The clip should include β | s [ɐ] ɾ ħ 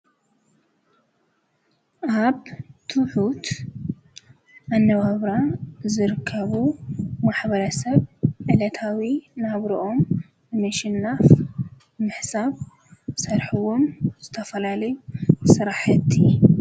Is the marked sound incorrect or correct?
correct